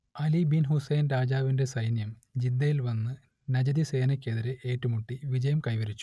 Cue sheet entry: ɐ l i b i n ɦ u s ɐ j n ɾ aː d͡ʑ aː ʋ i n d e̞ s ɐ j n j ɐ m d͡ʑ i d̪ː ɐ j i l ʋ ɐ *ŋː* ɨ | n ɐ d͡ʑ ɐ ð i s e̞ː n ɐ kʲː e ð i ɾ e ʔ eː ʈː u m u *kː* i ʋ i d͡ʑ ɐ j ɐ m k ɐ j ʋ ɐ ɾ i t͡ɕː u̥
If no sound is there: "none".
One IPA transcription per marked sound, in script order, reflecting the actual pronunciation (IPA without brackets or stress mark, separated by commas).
nː, ʈː